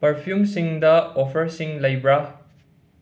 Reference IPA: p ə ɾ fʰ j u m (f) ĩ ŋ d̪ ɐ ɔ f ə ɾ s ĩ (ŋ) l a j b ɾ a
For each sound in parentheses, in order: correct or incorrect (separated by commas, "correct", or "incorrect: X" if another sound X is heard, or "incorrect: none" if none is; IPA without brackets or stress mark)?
incorrect: s, correct